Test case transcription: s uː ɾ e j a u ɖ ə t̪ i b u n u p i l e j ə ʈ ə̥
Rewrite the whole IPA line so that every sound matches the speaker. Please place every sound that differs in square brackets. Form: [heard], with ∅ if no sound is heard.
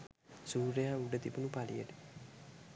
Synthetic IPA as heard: s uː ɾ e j a u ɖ ə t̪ i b u n u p [a] l [i] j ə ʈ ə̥